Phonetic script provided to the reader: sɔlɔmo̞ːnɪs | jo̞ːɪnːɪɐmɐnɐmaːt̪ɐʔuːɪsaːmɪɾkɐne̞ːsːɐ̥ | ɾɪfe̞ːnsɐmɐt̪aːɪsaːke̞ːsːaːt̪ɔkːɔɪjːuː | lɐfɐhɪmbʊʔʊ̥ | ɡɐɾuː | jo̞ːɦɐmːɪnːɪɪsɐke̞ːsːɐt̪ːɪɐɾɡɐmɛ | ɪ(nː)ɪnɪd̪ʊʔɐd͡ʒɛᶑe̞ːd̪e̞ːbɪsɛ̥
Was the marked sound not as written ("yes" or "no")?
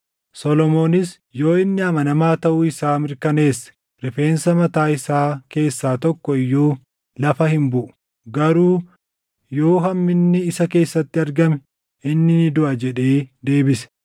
no